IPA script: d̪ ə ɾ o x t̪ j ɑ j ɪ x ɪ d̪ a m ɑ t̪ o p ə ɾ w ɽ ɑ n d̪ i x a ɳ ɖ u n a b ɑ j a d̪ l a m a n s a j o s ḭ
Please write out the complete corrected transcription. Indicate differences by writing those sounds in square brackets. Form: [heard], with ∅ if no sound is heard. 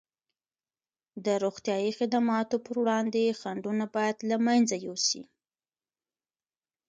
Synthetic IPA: d̪ ə ɾ o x t̪ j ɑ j [i] x ɪ d̪ a m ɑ t̪ o p ə ɾ w ɽ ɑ n d̪ [e] x a ɳ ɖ u n a b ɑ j a d̪ l a m a n [z] a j o s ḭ